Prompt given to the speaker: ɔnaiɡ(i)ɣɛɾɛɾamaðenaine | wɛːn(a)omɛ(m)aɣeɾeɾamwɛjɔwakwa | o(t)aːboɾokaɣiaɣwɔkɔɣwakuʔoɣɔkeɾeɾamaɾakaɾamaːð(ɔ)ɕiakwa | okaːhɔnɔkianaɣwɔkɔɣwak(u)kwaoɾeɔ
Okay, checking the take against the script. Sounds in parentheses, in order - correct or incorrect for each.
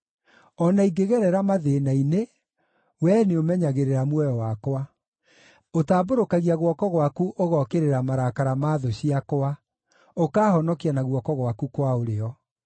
incorrect, incorrect, incorrect, correct, incorrect, correct

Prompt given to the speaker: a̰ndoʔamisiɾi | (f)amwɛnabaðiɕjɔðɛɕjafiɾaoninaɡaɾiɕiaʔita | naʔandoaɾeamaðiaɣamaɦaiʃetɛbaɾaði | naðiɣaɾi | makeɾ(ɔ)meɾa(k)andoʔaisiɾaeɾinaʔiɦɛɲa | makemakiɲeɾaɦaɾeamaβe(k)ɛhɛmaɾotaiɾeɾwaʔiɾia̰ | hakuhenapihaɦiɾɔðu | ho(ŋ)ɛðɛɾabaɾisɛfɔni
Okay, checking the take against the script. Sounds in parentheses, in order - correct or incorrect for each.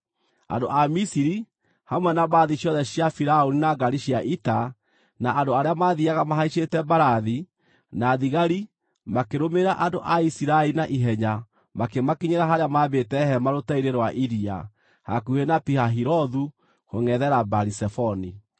incorrect, incorrect, incorrect, incorrect, correct

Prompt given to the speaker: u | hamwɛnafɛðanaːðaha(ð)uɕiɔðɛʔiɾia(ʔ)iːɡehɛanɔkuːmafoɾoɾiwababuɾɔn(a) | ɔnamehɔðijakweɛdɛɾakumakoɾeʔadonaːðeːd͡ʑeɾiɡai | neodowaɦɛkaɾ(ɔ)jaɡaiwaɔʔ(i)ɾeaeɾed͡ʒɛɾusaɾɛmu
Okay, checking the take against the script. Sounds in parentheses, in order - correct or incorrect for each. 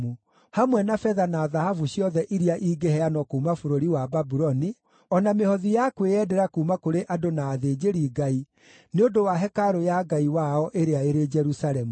incorrect, correct, incorrect, incorrect, incorrect

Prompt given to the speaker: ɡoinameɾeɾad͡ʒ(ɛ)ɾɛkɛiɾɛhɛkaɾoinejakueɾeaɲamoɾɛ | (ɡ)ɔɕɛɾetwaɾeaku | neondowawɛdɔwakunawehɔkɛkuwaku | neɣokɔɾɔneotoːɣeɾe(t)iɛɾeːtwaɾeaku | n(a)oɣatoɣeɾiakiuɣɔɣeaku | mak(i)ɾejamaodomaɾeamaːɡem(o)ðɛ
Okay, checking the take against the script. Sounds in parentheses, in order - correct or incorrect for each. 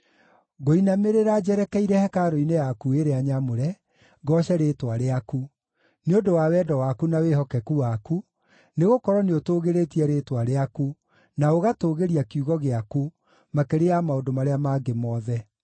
correct, correct, correct, correct, incorrect, incorrect

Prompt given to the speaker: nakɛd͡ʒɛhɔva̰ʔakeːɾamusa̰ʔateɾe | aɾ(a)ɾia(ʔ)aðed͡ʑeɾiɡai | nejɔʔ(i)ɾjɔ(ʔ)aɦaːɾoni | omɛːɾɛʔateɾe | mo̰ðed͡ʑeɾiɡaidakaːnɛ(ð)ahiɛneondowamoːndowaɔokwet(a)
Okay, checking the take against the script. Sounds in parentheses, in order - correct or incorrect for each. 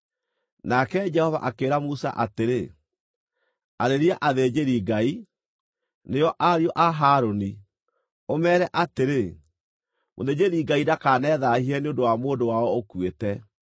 incorrect, correct, incorrect, correct, correct, incorrect

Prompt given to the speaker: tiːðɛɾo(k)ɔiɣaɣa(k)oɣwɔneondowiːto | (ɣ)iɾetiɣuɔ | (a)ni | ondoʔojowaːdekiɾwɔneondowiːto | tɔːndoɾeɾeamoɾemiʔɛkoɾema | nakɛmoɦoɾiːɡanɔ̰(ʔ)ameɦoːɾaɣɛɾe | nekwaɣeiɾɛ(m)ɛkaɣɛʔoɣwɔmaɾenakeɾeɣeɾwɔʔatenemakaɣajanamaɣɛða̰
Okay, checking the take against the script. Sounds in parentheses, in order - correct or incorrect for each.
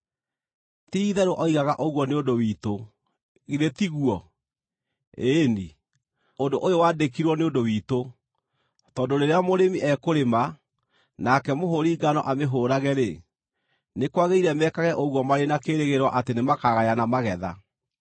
incorrect, incorrect, correct, incorrect, correct, correct

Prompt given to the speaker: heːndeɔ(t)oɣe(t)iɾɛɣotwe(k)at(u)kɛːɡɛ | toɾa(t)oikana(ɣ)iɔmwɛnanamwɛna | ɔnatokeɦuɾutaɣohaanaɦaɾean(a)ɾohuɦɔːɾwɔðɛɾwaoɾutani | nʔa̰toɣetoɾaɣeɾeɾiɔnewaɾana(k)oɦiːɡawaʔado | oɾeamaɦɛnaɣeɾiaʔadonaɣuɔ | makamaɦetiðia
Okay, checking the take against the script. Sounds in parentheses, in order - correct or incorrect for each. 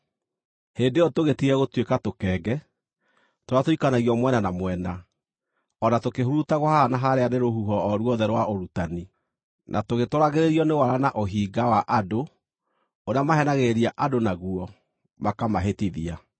correct, correct, correct, incorrect, correct, correct, incorrect, incorrect

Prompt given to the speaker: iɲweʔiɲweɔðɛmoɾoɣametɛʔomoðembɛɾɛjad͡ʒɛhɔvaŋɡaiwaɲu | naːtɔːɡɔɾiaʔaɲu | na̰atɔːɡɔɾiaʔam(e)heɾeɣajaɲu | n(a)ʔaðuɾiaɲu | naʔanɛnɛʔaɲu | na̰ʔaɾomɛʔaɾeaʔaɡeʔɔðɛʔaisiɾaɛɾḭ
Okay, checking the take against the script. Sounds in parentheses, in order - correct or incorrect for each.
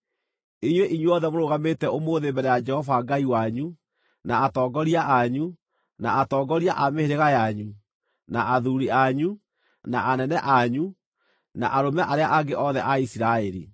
correct, correct

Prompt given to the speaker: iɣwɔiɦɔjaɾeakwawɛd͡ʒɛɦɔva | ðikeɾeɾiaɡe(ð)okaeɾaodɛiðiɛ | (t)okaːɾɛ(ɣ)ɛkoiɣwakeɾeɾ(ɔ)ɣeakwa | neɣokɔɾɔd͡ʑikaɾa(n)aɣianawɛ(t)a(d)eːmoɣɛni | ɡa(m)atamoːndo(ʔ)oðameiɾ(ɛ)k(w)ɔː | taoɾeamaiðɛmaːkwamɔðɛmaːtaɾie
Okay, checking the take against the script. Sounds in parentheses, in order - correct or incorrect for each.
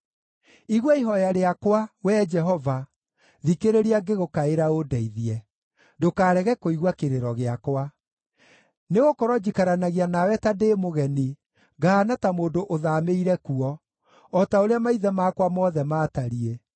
incorrect, incorrect, correct, correct, correct, correct, correct, incorrect, correct, correct, incorrect

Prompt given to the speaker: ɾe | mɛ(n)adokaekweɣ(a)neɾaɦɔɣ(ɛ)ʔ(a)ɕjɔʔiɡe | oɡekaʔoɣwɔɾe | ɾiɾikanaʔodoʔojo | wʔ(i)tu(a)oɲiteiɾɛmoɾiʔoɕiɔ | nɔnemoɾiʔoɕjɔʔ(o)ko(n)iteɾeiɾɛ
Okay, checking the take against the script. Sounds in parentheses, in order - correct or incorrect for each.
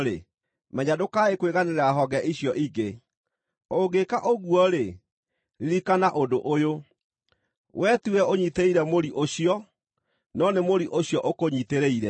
incorrect, correct, correct, incorrect, incorrect, incorrect, correct, incorrect

